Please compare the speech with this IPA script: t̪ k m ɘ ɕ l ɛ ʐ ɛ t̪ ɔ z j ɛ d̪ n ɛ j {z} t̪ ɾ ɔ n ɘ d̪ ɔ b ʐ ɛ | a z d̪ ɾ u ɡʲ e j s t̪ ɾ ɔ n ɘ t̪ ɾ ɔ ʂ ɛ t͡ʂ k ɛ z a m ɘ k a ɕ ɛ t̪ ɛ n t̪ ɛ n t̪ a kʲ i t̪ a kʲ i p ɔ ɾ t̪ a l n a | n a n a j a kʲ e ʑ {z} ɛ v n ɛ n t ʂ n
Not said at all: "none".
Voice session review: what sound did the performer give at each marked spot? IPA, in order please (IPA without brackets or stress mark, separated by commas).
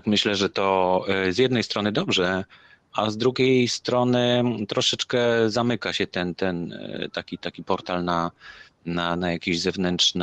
s, z